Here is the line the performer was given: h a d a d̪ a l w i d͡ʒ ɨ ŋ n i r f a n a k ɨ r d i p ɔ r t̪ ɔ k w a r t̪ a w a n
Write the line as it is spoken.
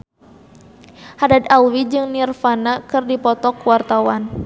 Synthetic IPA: h a d a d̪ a l w i d͡ʒ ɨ ŋ n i r f a n a k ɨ r d i p ɔ t̪ ɔ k w a r t̪ a w a n